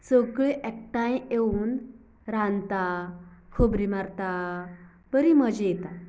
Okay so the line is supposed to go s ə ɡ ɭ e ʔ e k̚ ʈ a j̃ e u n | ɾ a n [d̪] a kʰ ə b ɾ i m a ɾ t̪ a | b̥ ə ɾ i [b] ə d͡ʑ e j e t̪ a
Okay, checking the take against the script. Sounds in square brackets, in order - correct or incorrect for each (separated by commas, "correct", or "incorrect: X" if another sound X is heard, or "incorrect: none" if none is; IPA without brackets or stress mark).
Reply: incorrect: t̪, incorrect: m